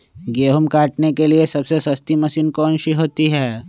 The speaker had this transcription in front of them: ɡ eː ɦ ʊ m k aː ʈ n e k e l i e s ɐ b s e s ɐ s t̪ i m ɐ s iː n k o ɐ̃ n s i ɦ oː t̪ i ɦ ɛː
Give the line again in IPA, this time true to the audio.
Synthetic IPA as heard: ɡ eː ɦ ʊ m k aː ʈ n e k e l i e s ɐ b s e s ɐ s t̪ i m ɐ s iː n k o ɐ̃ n ʃ i ɦ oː t̪ i ɦ ɛː